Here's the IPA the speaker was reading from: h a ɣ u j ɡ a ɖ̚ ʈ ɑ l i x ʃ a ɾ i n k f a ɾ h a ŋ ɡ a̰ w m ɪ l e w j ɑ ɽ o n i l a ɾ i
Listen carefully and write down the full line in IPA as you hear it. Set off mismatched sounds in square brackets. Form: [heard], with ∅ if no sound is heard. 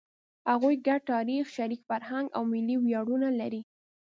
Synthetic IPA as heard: h a ɣ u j ɡ a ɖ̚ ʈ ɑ [ɾ] i x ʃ a ɾ i [∅] k f a ɾ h a ŋ ɡ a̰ w m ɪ l [i] w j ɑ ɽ [u] n [a] l a ɾ i